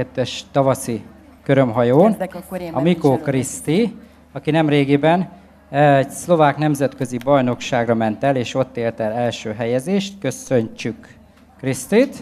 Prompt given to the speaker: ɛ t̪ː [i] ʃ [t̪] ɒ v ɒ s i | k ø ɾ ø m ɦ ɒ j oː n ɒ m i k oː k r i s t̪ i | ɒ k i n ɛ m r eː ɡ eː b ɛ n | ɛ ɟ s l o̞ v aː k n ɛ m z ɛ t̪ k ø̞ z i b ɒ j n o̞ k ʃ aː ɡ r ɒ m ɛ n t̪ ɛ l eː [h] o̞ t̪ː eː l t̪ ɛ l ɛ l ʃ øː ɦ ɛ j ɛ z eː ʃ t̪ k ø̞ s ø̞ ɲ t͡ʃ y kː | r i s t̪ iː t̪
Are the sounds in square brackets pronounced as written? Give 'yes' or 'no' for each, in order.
no, yes, no

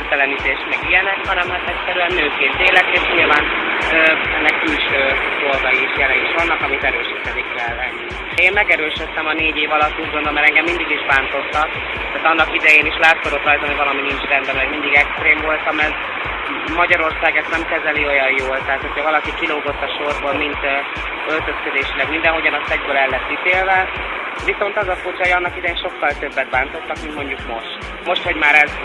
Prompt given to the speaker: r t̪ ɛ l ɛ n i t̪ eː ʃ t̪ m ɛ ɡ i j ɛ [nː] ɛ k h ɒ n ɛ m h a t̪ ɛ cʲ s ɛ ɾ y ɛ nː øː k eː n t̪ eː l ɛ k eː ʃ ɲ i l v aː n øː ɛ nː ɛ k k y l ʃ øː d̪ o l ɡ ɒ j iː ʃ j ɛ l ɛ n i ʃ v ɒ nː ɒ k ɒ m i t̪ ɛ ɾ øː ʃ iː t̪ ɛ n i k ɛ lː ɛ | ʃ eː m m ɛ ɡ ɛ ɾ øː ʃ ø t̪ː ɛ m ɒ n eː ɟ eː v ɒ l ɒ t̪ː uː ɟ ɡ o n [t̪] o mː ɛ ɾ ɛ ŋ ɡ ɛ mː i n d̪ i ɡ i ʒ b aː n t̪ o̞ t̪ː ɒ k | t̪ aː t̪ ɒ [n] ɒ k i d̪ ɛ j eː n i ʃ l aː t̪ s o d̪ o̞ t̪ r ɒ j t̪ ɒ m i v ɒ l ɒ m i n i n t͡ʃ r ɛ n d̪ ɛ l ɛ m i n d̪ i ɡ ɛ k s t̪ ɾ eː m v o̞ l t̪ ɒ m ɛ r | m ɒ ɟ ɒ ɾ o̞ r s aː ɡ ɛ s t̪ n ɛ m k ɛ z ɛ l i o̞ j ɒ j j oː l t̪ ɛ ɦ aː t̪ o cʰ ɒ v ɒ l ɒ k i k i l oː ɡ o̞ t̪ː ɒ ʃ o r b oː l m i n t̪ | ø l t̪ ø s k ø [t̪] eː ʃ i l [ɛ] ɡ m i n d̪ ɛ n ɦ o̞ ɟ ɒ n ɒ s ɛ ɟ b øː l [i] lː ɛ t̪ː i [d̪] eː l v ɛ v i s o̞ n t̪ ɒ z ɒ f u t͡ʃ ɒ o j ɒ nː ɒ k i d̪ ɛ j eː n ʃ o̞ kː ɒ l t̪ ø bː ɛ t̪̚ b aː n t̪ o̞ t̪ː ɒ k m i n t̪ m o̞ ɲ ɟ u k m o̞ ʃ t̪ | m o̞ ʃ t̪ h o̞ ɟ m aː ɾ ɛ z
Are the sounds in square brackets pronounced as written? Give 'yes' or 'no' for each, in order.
no, no, no, no, yes, no, no

